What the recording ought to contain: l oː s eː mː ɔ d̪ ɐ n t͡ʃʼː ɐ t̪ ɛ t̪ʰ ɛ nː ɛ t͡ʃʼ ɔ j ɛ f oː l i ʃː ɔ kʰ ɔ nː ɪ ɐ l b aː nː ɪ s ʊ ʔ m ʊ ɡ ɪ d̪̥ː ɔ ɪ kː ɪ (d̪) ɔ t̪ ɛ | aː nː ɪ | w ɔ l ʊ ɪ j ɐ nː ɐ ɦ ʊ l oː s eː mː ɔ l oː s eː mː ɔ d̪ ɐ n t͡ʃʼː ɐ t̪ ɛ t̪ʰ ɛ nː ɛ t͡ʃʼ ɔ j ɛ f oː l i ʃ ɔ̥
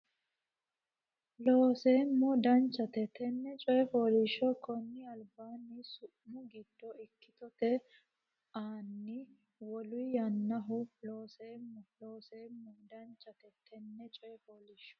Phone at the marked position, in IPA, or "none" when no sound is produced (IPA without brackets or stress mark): t̪